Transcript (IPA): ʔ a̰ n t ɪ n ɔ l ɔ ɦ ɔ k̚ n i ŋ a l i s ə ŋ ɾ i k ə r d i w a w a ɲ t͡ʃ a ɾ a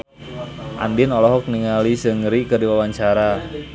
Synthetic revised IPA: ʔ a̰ n d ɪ n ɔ l ɔ ɦ ɔ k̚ n i ŋ a l i s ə ŋ ɾ i k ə r d i w a w a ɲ t͡ʃ a ɾ a